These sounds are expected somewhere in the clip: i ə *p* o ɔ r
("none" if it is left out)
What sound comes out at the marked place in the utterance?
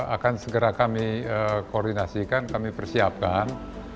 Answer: k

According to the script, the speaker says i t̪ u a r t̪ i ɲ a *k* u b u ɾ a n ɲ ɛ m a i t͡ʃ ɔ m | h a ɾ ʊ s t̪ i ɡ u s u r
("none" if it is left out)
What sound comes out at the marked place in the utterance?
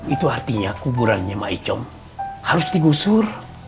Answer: k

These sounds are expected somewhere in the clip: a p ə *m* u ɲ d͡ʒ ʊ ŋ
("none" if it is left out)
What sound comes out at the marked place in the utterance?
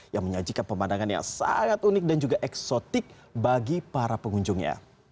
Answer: ŋ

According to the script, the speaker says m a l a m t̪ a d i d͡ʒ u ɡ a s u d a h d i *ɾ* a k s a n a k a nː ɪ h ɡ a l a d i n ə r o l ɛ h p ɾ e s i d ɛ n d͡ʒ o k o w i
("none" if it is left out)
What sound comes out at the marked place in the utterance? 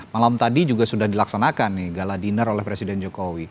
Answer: l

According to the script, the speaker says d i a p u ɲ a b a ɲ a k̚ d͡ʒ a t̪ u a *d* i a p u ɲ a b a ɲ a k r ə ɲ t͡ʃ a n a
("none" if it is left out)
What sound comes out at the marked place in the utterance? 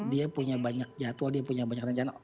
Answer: d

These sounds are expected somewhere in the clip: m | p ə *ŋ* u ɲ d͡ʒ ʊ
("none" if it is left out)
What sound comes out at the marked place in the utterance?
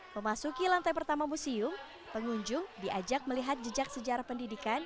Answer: ŋ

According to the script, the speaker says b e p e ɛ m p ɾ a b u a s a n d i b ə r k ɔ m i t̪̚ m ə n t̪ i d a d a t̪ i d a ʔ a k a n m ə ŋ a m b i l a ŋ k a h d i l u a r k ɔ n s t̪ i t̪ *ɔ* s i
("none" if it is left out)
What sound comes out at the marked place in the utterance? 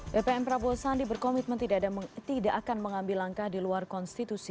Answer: u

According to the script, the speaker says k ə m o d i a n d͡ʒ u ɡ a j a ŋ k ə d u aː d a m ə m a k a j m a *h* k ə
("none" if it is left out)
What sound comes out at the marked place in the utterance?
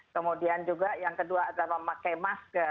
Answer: s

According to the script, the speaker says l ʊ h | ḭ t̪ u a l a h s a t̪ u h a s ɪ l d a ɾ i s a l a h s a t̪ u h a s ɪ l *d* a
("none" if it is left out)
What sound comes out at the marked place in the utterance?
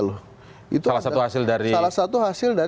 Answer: d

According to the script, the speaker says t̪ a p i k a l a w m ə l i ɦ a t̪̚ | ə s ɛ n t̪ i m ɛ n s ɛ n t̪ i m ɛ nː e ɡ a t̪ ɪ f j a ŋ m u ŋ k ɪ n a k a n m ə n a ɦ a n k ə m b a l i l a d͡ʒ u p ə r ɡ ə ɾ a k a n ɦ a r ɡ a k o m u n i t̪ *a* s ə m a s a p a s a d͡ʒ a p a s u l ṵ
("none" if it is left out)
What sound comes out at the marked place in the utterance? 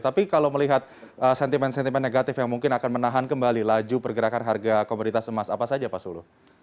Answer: a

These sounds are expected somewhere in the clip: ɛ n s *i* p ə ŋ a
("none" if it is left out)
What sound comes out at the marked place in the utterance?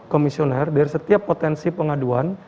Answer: i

